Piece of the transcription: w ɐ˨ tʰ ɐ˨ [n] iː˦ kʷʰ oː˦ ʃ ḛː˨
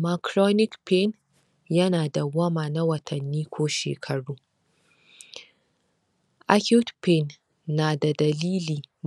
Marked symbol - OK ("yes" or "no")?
no